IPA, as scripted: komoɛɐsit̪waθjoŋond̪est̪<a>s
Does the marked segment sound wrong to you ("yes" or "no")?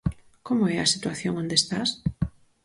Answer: no